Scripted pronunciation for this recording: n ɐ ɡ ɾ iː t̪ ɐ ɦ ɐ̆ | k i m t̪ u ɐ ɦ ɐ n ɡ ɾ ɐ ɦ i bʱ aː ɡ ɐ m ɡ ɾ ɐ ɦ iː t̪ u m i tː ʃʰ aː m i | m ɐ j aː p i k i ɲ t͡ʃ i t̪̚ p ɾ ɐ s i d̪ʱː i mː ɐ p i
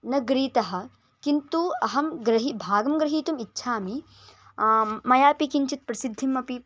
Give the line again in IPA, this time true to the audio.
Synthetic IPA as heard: n ɐ ɡ ɾ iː t̪ ɐ ɦ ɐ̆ | k i n t̪ u ɐ ɦ ɐ m ɡ ɾ ɐ ɦ i bʱ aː ɡ ɐ m ɡ ɾ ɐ ɦ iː t̪ u m i tː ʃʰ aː m i | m ɐ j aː p i k i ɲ t͡ʃ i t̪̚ p ɾ ɐ s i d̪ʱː i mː ɐ p i